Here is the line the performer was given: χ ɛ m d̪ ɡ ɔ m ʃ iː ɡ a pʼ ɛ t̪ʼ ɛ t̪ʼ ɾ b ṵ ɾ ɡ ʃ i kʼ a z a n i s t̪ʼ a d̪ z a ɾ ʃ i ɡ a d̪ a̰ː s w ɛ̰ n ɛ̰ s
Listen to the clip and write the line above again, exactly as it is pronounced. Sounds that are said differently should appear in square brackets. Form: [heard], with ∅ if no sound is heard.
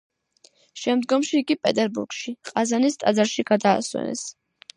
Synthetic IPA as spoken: [ʃ] ɛ m d̪ ɡ ɔ m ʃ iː ɡ [i] pʼ ɛ t̪ʼ ɛ [∅] ɾ b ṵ ɾ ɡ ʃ i [qʼ] a z a n i s t̪ʼ a d̪ z a ɾ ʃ i ɡ a d̪ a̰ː s w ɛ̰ n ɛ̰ s